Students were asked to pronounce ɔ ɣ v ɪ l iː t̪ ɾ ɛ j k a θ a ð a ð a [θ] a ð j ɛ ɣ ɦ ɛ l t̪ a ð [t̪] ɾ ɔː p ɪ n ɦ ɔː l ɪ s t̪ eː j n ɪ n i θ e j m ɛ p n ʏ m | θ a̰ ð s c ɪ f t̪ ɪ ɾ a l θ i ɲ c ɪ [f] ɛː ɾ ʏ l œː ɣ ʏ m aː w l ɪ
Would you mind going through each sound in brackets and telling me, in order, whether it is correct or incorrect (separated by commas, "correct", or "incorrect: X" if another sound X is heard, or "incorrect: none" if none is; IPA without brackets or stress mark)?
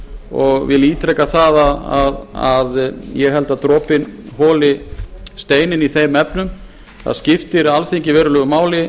incorrect: ð, correct, incorrect: v